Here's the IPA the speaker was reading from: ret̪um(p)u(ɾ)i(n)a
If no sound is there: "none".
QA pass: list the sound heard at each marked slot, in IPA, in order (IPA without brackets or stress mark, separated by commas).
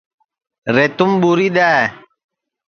b, ɾ, d